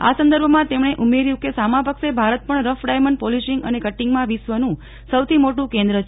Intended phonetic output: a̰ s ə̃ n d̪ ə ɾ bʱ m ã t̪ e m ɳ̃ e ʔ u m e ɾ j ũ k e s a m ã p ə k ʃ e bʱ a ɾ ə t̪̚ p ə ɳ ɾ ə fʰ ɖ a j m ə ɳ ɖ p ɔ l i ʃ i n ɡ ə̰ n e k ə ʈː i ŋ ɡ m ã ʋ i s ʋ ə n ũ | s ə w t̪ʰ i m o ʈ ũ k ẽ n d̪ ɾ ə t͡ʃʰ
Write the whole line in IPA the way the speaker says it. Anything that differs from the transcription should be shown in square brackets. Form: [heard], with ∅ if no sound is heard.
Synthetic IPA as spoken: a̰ s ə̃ n d̪ ə ɾ bʱ m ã t̪ e m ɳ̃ e ʔ u m e ɾ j ũ k e s a m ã p ə k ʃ e bʱ a ɾ ə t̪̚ p ə ɳ ɾ ə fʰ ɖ a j m ə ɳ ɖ p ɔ l i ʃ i [ŋ] ɡ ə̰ n e k ə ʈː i ŋ ɡ m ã ʋ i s ʋ ə n ũ | s ə w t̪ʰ i m o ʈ ũ k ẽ n d̪ ɾ ə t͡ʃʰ